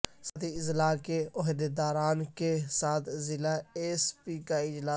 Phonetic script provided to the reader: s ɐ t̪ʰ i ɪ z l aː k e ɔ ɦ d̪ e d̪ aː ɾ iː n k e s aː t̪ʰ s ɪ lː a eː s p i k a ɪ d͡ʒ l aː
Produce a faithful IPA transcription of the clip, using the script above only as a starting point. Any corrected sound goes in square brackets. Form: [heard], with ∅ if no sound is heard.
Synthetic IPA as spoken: s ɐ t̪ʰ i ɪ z l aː k e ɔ ɦ d̪ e d̪ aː ɾ [aː] n k e s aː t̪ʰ [z] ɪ [l] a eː s p i k a ɪ d͡ʒ l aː